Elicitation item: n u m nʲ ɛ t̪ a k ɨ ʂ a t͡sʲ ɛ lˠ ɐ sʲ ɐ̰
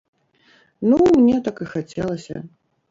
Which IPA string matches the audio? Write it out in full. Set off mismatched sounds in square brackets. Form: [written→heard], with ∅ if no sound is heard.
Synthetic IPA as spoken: n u m nʲ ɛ t̪ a k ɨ [ʂ→x] a t͡sʲ ɛ lˠ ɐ sʲ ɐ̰